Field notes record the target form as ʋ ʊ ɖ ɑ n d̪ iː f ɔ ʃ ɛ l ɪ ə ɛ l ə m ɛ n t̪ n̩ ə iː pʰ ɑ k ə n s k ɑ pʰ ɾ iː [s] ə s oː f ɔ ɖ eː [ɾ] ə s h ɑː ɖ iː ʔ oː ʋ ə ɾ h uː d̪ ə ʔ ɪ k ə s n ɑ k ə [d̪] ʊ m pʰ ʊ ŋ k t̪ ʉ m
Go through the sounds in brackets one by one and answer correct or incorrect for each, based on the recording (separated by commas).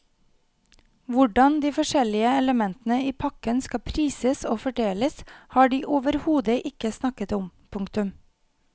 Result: correct, incorrect, incorrect